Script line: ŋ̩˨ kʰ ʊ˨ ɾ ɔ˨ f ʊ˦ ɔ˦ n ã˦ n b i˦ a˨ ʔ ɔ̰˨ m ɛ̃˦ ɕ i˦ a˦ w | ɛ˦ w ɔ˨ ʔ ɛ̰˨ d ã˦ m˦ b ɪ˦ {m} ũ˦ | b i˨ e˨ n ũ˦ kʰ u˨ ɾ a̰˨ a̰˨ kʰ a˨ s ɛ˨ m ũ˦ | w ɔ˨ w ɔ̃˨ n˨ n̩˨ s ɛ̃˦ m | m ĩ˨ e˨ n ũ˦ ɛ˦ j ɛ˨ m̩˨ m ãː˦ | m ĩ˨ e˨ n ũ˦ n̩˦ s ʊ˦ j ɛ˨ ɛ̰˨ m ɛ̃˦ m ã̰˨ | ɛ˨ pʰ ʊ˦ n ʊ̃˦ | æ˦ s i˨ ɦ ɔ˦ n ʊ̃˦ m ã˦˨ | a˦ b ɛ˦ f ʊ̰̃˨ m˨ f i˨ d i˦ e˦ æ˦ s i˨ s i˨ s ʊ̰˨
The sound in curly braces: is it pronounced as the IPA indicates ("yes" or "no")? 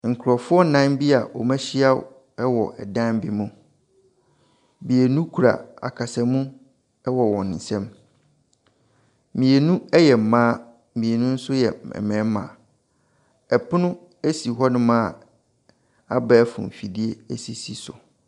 yes